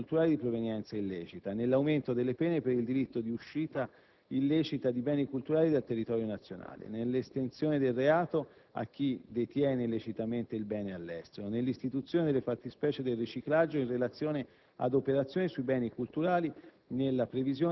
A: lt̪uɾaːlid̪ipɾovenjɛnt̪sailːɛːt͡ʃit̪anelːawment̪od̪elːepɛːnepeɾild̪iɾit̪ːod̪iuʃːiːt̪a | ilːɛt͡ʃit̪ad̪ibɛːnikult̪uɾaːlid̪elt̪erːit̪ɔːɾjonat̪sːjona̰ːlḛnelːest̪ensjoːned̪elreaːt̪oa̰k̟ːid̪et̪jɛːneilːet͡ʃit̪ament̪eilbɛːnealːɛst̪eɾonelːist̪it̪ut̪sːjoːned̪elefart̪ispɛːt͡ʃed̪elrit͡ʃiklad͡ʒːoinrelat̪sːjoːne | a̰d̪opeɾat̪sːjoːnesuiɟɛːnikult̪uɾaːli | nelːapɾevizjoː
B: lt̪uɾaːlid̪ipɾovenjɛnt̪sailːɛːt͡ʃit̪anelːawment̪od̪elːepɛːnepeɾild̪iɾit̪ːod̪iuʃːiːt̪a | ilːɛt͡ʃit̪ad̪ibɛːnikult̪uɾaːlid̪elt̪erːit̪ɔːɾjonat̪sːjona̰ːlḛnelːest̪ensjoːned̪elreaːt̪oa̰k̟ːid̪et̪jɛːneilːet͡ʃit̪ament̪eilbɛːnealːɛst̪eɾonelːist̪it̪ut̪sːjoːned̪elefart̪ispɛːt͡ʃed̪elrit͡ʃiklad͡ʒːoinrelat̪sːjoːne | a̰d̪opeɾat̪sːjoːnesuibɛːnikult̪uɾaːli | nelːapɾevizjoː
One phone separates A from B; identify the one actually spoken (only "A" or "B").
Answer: B